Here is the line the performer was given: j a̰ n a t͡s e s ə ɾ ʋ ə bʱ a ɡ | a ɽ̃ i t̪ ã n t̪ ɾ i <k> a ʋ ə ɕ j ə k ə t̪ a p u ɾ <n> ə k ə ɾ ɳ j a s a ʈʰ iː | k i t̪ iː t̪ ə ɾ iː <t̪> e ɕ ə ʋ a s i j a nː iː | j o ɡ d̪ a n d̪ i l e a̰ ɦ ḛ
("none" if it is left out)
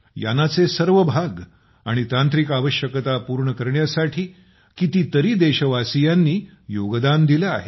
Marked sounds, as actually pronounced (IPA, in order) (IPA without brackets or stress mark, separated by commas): k, ɳ, d̪